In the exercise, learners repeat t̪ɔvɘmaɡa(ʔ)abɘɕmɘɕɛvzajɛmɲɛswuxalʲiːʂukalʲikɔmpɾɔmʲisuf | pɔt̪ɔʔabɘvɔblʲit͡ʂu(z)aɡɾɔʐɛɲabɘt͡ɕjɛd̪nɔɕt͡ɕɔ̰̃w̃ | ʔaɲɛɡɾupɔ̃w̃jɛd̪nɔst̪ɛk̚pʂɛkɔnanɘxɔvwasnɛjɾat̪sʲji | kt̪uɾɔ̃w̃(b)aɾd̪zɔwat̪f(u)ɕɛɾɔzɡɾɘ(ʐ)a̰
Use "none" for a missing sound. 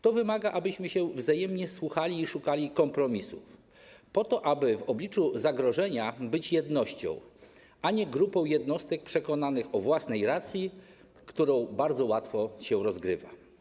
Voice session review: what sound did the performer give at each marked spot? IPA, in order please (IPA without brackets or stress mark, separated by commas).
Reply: ʔ, z, b, ɔ, v